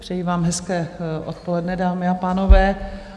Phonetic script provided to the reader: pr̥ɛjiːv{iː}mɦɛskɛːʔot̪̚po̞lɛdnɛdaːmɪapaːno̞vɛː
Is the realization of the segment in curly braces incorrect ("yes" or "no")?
yes